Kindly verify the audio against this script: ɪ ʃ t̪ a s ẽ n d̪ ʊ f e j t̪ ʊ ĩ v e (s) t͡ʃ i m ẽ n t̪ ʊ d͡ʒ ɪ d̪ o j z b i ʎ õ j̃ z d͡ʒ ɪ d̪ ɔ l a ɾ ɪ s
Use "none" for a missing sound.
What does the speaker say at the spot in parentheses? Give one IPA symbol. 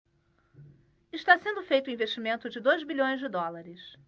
ʃ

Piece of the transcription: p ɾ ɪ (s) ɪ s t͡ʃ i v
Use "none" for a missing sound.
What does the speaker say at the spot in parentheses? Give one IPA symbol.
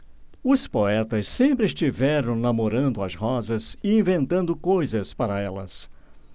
none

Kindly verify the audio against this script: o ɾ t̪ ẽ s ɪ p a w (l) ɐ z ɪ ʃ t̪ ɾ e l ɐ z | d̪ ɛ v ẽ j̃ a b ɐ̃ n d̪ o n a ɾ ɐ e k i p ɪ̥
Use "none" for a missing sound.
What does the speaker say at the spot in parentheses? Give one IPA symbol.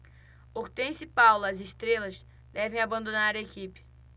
l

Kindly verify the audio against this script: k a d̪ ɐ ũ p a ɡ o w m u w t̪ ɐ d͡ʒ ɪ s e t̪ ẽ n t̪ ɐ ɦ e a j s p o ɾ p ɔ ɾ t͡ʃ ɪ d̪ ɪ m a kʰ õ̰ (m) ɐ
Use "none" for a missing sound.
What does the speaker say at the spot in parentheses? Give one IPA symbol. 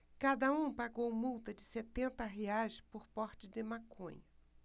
ɲ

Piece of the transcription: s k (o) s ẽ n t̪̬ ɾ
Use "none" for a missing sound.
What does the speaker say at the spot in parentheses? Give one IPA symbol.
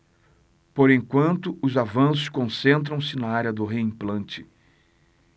õ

